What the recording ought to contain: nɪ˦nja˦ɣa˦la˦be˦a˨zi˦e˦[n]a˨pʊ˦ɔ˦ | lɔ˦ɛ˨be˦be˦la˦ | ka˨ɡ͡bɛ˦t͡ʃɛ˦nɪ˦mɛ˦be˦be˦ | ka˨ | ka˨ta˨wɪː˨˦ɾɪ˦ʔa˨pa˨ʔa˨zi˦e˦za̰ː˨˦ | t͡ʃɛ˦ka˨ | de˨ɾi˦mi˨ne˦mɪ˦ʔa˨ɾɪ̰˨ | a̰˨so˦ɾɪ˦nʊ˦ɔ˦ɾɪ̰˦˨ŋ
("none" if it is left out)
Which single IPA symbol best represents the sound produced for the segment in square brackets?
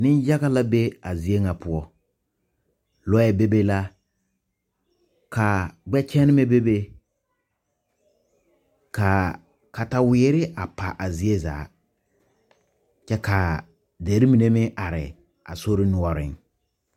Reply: ŋ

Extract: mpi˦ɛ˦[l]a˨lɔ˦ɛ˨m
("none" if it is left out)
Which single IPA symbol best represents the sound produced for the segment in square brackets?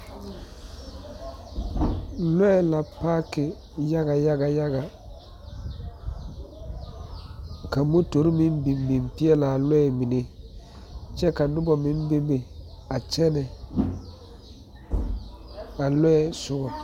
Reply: l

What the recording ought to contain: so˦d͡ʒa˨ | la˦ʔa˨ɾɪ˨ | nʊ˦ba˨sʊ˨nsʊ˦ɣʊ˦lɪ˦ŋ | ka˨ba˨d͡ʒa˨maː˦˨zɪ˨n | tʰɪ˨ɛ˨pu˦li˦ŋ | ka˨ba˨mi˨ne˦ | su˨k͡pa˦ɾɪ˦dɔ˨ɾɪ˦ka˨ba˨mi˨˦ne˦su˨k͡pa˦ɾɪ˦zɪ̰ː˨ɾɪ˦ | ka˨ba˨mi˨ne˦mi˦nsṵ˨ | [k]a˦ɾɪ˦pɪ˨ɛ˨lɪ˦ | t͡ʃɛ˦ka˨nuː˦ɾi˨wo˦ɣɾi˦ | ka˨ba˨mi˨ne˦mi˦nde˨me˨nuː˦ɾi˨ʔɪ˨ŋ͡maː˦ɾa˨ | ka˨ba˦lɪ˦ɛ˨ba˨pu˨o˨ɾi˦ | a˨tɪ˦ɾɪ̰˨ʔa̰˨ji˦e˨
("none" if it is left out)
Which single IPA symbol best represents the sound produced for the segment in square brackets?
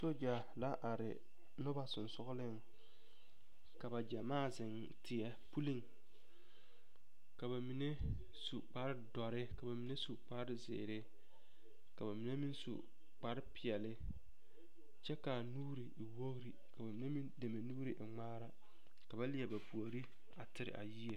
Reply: k͡p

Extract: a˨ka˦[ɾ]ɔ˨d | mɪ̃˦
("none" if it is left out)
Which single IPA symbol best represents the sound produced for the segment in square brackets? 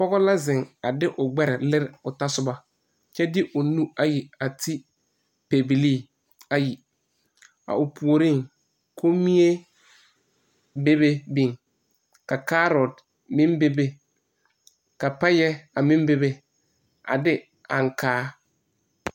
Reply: ɾ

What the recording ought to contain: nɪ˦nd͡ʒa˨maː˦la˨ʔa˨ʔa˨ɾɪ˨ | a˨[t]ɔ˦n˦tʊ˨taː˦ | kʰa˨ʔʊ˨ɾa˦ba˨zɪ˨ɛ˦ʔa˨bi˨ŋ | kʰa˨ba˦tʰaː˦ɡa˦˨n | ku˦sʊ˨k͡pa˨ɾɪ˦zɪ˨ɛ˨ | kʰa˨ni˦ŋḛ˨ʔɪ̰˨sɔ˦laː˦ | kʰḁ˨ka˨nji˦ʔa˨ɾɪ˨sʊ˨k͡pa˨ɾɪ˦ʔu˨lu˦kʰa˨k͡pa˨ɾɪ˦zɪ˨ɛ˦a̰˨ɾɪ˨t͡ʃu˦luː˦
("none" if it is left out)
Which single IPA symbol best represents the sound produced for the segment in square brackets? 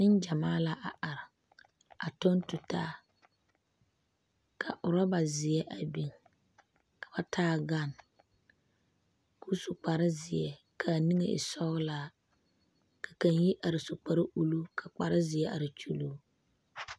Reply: t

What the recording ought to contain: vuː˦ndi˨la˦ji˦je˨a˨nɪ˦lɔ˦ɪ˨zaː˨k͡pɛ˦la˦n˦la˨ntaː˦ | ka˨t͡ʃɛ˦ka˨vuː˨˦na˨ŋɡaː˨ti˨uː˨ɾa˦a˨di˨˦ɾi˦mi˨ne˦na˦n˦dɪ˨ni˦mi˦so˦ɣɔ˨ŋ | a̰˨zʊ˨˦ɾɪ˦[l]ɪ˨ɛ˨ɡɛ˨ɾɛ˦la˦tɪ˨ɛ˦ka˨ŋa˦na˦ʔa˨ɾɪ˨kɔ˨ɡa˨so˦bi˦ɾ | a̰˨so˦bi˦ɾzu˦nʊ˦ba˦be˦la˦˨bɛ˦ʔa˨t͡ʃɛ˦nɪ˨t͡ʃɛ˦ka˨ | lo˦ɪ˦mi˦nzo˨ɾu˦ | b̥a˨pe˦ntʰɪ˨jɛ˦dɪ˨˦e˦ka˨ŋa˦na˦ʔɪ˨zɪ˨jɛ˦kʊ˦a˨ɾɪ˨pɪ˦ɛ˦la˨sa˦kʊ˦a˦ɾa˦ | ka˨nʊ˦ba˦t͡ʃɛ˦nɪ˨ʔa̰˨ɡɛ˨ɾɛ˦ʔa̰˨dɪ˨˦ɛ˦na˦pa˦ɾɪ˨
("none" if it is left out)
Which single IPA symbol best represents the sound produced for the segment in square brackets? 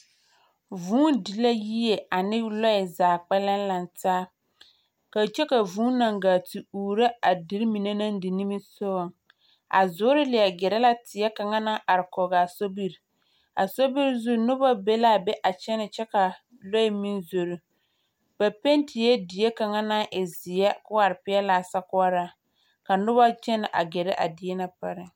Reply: l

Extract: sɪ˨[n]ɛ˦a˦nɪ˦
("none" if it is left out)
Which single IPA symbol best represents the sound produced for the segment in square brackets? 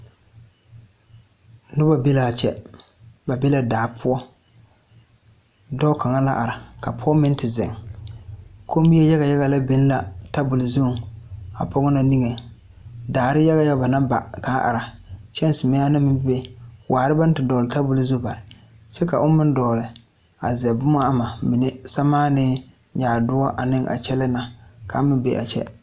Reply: m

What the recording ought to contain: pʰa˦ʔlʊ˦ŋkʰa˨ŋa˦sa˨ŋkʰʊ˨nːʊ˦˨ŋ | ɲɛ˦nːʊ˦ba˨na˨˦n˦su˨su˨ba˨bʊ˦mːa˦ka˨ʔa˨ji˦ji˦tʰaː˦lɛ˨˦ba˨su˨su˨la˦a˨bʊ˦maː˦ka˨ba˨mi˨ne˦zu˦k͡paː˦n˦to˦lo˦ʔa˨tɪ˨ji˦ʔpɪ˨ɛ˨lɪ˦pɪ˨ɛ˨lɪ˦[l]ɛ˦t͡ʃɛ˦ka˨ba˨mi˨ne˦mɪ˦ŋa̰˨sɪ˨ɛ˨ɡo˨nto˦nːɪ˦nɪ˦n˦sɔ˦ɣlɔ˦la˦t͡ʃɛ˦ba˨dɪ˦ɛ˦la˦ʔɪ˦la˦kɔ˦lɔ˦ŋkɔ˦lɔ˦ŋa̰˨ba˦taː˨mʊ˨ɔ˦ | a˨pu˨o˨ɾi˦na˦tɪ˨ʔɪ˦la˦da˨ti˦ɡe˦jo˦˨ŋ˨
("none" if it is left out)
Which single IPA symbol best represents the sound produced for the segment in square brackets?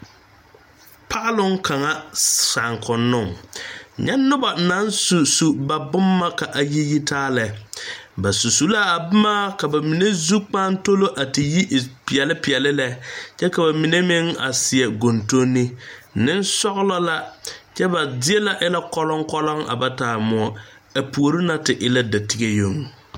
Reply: l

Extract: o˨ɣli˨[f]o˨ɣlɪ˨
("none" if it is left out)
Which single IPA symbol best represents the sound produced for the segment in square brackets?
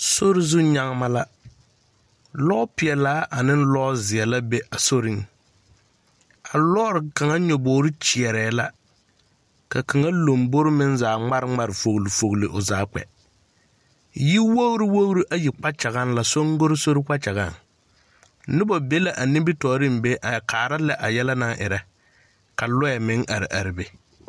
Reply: f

